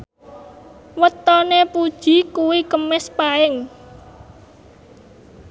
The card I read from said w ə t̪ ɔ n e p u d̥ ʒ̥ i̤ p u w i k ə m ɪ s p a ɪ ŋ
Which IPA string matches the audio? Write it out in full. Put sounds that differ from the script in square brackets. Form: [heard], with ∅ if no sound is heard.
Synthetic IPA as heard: w ə t̪ ɔ n e p u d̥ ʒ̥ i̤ [k] u w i k ə m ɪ s p a ɪ ŋ